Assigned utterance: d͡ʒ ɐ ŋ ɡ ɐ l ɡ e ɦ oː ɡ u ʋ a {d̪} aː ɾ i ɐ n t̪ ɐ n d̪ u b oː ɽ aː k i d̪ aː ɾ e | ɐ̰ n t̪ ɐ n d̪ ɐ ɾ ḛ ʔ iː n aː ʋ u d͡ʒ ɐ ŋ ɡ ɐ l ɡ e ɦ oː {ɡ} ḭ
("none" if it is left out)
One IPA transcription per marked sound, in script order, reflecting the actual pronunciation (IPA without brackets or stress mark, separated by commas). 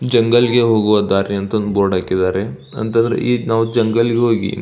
d̪, ɡ